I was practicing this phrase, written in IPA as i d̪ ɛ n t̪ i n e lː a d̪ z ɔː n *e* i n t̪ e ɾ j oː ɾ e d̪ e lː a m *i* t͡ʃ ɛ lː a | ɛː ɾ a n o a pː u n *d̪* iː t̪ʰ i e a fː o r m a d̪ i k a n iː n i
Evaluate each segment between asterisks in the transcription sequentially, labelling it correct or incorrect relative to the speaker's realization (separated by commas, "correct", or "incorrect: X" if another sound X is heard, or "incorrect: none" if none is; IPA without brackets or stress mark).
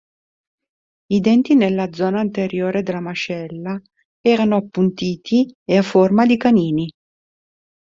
incorrect: a, incorrect: a, incorrect: t̪